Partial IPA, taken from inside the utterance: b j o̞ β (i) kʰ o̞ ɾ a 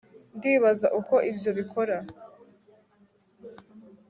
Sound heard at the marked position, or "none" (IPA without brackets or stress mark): i